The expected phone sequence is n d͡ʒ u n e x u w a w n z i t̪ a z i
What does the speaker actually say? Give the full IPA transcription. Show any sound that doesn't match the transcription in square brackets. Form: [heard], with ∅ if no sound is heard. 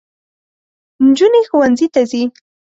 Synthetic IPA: n d͡ʒ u n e x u w a [∅] n z i t̪ a z i